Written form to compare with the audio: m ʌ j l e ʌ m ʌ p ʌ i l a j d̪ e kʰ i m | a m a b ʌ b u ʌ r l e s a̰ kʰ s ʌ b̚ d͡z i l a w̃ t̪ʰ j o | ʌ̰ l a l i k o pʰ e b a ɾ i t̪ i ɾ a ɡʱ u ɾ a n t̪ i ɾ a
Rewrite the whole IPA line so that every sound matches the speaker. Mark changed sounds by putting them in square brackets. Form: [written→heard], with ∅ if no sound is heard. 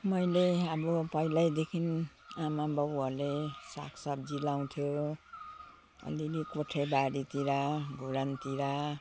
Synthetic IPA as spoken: m ʌ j l e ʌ [m→b] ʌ p ʌ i l a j d̪ e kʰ i [m→n] | a m a b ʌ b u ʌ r l e s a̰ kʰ s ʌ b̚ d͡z i l a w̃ t̪ʰ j o | ʌ̰ l [a→i] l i k o [pʰ→ʈʰ] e b a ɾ i t̪ i ɾ a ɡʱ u ɾ a n t̪ i ɾ a